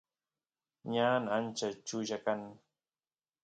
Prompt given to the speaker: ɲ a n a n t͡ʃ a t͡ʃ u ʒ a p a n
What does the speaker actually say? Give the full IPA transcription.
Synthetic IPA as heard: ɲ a n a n t͡ʃ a t͡ʃ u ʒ a k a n